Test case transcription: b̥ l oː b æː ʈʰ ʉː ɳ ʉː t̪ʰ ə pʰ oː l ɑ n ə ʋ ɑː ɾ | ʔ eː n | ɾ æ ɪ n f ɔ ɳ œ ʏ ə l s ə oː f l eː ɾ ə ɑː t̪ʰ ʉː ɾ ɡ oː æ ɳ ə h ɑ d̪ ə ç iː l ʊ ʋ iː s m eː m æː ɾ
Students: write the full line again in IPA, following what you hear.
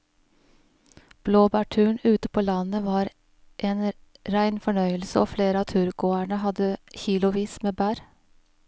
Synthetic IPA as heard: b̥ l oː b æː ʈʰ ʉː ɳ ʉː t̪ ə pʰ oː l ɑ n ə ʋ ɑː ɾ | ʔ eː n | ɾ æ ɪ n f ɔ ɳ œ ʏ ə l s ə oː f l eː ɾ ə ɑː t̪ʰ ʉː ɾ ɡ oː æ ɳ ə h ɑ d̪ ə ç iː l ʊ ʋ iː s m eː b æː ɾ

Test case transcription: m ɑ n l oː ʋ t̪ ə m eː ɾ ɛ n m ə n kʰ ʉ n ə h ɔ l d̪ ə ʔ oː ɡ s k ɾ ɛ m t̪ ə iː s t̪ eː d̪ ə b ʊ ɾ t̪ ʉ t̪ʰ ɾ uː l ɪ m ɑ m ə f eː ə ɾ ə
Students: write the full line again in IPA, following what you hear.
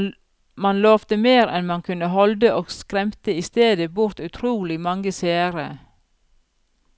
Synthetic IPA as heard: m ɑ n l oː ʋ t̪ ə m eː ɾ ɛ n m ɑ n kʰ ʉ n ə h ɔ l d̪ ə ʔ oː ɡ s k ɾ ɛ m t̪ ə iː s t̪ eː d̪ ə b ʊ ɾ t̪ ʉ t̪ʰ ɾ uː l ɪ m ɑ ŋ ə s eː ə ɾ ə

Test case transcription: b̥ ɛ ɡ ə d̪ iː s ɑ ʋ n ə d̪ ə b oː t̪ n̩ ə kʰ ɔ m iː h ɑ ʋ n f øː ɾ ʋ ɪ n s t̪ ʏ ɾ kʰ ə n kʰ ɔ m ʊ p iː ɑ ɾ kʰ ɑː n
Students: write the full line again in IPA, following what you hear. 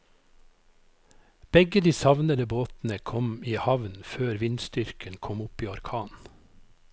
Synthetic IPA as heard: b̥ ɛ ɡ ə d̪ iː s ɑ ʋ n ə d̪ ə b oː t̪ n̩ ə kʰ ɔ m iː h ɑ ʋ n f øː ɾ ʋ ɪ n s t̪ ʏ ɾ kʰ ə n kʰ ɔ m ʊ p iː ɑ ɾ kʰ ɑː n

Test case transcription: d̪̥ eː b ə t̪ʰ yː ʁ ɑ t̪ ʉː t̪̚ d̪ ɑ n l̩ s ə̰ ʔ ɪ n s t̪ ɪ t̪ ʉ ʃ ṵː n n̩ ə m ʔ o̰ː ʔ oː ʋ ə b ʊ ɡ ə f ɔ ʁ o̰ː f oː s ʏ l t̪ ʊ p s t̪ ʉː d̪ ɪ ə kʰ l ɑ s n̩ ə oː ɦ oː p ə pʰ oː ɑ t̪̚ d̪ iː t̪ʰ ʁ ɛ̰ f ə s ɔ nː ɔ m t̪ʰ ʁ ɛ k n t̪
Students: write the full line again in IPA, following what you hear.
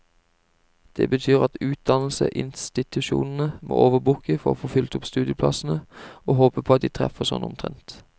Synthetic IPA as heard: d̪̥ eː b ə t̪ʰ yː ʁ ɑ t̪ ʉː t̪̚ d̪ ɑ n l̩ s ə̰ ʔ ɪ n s t̪ ɪ t̪ ʉ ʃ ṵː n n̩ ə m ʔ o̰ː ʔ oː ʋ ə b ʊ k ə f ɔ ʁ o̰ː f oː f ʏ l t̪ ʊ p s t̪ ʉː d̪ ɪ ə pʰ l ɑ s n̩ ə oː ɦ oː p ə pʰ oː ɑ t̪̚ d̪ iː t̪ʰ ʁ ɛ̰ f ə s ɔ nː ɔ m t̪ʰ ʁ ɛ n t̪

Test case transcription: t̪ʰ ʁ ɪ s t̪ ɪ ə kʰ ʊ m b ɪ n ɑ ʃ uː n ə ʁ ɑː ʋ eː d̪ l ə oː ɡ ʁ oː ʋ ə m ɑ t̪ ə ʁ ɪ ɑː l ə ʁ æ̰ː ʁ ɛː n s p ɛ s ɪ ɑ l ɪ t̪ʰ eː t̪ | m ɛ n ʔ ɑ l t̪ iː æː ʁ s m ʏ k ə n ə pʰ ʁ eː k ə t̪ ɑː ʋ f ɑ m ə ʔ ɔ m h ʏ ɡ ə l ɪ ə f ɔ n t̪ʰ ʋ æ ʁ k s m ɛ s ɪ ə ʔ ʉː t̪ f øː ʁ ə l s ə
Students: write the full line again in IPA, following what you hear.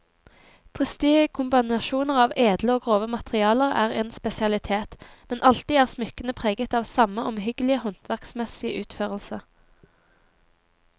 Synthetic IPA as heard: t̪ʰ ʁ ɪ s t̪ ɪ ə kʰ ʊ m b ɪ n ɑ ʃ uː n ə ʁ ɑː ʋ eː d̪ l ə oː ɡ ʁ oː ʋ ə m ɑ t̪ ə ʁ ɪ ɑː l ə ʁ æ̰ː ʁ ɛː n s p ɛ s ɪ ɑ l ɪ t̪ʰ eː t̪ | m ɛ n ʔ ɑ l t̪ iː æː ʁ s m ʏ k ə n ə pʰ ʁ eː ɡ ə t̪ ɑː ʋ s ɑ m ə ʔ ɔ m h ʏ ɡ ə l ɪ ə h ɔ n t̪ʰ ʋ æ ʁ k s m ɛ s ɪ ə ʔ ʉː t̪ f øː ʁ ə l s ə

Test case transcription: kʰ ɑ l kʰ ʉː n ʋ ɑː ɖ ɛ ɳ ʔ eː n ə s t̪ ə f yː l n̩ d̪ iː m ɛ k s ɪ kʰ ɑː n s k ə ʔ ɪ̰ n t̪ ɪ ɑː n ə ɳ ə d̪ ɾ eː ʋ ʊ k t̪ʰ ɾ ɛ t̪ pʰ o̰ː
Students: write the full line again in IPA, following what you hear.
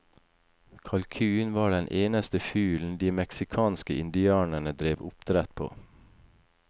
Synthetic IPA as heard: kʰ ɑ l kʰ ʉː n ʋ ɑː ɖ ɛ n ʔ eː n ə s t̪ ə f yː l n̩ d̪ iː m ɛ k s ɪ kʰ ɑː n s k ə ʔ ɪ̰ n d̪ ɪ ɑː n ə ɳ ə d̪ ɾ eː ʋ ʊ p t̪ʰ ɾ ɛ t̪ pʰ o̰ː

